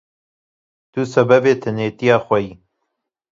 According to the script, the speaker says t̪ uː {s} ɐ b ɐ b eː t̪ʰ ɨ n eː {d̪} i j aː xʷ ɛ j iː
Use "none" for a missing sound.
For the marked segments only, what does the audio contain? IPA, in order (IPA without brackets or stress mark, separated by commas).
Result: s, t̪